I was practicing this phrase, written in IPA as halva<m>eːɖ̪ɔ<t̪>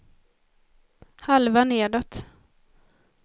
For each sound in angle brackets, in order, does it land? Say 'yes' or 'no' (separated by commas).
no, yes